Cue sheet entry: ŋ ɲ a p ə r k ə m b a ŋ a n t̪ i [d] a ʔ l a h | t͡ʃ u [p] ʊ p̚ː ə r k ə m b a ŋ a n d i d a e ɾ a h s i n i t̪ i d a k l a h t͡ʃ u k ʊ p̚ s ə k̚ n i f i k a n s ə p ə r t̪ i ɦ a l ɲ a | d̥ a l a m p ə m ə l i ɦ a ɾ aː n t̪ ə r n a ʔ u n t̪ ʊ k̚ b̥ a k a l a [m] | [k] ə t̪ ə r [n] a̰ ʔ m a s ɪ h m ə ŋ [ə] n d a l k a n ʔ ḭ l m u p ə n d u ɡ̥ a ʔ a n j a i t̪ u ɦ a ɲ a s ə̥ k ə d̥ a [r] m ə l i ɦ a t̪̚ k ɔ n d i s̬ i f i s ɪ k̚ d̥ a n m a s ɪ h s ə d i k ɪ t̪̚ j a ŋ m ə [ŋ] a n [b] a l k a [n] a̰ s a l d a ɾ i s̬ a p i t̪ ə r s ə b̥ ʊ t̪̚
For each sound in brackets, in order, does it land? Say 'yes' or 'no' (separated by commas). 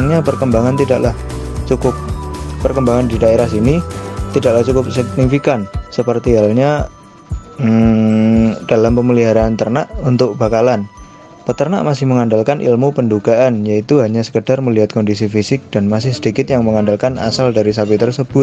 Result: yes, no, no, no, yes, no, yes, yes, no, yes